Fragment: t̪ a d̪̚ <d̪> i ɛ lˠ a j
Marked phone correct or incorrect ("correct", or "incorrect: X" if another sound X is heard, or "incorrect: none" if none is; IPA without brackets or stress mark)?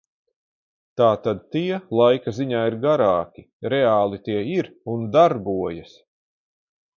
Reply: incorrect: t̪